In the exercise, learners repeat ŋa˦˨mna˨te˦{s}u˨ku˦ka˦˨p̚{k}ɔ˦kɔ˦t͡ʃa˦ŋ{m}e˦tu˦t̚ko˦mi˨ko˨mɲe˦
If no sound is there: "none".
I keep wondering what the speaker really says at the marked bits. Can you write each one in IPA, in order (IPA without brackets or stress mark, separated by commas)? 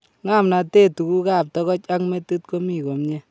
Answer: t, t, m